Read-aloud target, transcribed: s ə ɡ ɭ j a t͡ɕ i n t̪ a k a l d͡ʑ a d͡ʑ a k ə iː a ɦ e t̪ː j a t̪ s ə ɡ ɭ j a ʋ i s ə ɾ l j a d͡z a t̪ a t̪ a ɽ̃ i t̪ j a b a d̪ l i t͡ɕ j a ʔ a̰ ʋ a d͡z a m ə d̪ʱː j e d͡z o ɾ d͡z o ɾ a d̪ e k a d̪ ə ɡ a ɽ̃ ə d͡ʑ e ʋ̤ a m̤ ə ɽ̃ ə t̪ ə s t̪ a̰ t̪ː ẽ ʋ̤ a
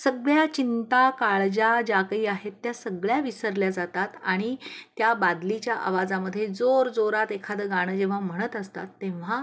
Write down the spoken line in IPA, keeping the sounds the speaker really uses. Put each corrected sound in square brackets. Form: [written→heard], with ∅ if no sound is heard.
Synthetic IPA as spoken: s ə ɡ ɭ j a t͡ɕ i n t̪ a k a [l→ɭ] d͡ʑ a d͡ʑ a k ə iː a ɦ e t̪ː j a [t̪→∅] s ə ɡ ɭ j a ʋ i s ə ɾ l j a d͡z a t̪ a t̪ a ɽ̃ i t̪ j a b a d̪ l i t͡ɕ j a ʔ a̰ ʋ a d͡z a m ə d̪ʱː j e d͡z o ɾ d͡z o ɾ a [d̪→t̪] e [k→kʰ] a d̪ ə ɡ a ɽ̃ ə d͡ʑ e ʋ̤ a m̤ ə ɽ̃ ə t̪ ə s t̪ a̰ t̪ː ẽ ʋ̤ a